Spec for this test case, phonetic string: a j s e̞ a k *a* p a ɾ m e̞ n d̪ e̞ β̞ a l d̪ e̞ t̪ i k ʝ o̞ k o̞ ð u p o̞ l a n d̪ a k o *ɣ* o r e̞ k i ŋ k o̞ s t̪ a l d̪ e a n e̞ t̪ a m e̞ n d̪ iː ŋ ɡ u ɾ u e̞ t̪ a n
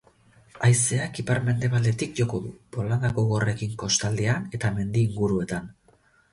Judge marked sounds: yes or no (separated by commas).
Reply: no, yes